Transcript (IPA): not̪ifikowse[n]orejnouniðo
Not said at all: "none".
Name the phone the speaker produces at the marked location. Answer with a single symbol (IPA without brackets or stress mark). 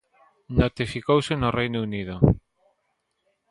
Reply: n